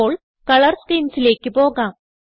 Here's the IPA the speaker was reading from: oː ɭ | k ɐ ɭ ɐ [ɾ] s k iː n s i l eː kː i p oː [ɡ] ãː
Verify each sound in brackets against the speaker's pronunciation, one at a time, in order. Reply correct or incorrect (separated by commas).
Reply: correct, correct